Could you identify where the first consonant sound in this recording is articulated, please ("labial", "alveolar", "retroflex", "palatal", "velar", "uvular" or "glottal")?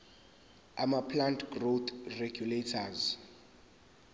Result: labial